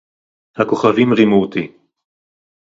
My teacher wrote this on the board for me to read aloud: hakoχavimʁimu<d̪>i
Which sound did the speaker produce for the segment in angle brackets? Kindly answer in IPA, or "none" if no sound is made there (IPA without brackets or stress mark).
t̪